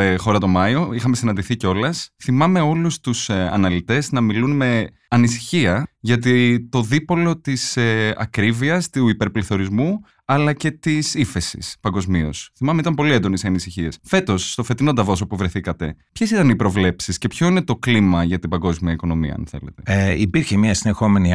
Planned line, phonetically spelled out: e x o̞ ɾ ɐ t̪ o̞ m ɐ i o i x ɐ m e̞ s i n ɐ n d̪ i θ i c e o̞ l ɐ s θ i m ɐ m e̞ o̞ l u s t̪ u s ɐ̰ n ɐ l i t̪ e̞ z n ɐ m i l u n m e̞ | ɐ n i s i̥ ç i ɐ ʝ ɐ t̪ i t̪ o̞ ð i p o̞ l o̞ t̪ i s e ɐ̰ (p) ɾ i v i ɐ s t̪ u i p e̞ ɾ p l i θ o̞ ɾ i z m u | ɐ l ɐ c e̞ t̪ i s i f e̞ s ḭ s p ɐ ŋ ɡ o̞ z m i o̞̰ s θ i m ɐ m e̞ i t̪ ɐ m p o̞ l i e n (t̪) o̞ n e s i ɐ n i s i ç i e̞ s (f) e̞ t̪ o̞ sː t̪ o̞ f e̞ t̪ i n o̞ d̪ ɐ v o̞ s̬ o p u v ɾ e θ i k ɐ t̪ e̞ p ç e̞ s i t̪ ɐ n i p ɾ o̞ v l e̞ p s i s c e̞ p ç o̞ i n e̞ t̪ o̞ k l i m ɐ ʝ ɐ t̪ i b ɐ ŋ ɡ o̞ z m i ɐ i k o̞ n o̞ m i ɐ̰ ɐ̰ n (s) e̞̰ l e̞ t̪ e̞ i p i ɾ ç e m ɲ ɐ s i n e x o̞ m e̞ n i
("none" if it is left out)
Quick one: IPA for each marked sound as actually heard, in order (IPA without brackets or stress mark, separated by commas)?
k, d̪, f, θ